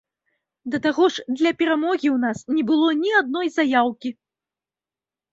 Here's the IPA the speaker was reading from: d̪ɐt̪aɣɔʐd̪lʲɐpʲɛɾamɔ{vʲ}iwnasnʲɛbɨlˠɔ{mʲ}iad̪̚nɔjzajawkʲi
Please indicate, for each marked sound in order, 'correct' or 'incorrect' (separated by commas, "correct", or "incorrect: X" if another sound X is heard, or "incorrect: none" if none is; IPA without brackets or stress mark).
incorrect: ɣʲ, incorrect: nʲ